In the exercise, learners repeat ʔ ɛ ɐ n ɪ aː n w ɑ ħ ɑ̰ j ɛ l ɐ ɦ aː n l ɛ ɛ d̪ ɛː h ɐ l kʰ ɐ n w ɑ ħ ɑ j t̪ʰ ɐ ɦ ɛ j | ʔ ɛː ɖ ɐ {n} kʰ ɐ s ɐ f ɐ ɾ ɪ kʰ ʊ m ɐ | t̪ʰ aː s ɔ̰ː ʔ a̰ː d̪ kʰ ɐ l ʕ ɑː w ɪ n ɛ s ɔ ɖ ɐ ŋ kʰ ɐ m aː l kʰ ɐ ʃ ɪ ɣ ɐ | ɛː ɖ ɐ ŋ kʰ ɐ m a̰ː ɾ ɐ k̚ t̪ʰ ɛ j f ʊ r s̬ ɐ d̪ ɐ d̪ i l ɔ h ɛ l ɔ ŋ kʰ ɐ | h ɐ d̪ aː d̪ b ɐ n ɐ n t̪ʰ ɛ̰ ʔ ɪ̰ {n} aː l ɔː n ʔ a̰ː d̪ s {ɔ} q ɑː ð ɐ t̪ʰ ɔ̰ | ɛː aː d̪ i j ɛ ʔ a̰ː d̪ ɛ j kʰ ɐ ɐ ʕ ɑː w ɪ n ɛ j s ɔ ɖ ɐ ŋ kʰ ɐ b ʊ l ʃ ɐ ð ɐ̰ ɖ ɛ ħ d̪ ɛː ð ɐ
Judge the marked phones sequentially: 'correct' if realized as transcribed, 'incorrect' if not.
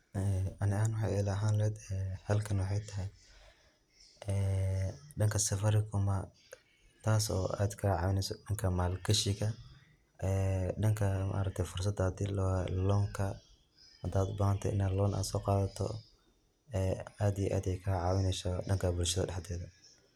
incorrect: ŋ, correct, incorrect: ɔː

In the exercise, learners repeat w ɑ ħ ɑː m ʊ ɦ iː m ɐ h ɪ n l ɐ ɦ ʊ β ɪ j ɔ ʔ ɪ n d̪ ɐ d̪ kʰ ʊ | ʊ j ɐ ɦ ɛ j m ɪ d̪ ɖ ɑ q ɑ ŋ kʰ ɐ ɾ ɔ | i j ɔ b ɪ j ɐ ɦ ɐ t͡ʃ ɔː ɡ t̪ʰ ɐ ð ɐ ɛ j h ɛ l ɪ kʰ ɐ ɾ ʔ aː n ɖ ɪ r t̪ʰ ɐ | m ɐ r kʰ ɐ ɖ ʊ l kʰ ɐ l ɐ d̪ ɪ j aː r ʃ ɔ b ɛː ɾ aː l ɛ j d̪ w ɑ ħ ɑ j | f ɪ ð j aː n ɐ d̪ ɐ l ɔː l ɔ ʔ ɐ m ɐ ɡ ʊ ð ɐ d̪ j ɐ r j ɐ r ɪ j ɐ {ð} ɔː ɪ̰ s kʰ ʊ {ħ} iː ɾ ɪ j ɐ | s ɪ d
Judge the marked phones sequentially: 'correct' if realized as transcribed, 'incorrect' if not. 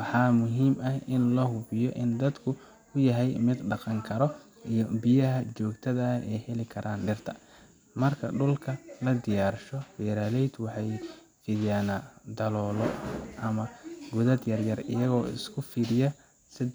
incorrect: ɣ, incorrect: f

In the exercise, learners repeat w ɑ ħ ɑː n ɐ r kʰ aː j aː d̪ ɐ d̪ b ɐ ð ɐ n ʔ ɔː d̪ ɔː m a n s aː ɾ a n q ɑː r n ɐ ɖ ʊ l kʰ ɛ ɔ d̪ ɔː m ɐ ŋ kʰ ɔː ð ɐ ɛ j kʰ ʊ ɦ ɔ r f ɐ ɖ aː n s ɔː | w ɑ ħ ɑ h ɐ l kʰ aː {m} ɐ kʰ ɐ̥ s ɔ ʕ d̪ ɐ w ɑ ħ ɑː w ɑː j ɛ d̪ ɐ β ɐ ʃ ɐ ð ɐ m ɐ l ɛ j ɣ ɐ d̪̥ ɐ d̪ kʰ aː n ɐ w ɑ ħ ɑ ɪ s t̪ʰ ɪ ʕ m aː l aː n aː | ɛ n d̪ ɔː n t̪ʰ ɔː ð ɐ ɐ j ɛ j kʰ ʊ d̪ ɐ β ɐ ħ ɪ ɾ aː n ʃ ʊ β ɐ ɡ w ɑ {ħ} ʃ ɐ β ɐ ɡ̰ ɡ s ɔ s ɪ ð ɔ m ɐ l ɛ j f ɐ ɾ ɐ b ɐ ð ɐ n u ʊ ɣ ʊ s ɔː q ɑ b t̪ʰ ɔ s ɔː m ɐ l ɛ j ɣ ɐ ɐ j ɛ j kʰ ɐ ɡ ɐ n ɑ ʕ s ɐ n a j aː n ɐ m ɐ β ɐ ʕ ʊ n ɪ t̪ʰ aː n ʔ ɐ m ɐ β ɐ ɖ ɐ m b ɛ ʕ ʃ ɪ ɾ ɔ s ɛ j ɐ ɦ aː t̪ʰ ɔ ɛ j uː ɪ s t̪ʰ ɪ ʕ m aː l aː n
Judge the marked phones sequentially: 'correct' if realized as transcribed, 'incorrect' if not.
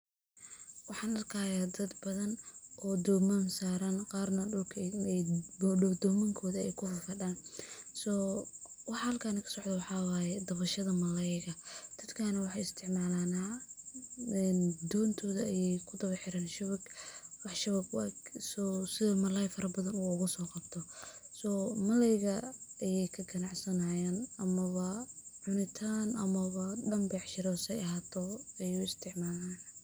incorrect: n, correct

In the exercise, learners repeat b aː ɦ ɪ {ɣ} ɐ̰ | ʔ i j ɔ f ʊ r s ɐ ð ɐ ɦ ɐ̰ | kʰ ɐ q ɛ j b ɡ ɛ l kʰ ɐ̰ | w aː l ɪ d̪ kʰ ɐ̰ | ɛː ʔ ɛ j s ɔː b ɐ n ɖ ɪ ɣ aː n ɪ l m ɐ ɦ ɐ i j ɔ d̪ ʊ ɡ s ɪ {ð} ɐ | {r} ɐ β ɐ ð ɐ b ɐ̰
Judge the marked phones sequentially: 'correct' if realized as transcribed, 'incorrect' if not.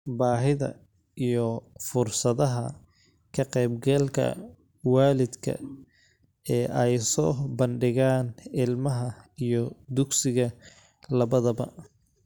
incorrect: ð, incorrect: ɣ, incorrect: l

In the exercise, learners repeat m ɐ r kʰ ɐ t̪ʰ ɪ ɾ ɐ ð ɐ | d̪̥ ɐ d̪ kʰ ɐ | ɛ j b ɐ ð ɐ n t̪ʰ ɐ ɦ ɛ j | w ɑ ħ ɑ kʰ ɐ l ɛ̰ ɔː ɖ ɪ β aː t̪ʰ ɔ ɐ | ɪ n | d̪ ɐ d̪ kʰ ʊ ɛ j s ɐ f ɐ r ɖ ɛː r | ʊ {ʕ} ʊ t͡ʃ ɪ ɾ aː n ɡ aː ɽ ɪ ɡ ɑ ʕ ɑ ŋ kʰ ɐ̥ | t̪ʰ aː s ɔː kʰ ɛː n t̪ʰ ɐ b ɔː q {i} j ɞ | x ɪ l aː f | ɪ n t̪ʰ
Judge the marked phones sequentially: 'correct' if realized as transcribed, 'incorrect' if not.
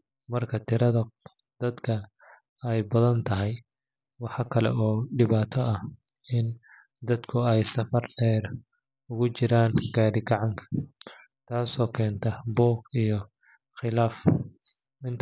incorrect: ɣ, correct

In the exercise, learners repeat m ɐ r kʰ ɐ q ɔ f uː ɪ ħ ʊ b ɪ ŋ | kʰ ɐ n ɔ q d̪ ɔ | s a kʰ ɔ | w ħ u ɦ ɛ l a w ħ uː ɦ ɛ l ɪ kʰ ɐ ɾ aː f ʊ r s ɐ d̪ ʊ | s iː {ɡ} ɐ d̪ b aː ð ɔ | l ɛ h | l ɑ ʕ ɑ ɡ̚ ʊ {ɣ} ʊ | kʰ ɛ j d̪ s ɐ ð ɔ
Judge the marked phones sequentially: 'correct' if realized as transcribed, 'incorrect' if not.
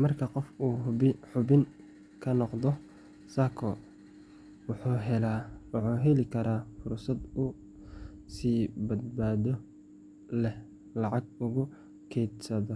incorrect: b, correct

